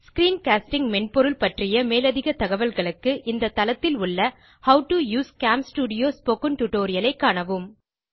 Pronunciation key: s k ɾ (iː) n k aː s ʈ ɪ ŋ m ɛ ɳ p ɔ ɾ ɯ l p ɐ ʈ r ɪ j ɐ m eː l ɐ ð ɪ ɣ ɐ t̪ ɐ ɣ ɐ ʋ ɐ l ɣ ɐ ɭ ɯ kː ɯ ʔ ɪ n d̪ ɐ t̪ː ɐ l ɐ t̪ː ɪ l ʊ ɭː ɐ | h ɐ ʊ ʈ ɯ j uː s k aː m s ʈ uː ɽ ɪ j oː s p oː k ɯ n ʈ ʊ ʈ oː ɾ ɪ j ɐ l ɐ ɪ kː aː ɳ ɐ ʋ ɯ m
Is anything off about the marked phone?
no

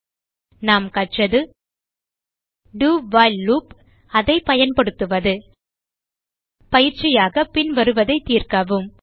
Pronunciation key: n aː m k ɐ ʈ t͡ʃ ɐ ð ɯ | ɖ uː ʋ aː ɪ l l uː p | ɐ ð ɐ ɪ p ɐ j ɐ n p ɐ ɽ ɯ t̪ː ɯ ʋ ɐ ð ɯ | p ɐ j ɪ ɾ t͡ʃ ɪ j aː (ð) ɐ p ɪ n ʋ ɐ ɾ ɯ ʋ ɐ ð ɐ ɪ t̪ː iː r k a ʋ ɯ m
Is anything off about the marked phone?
yes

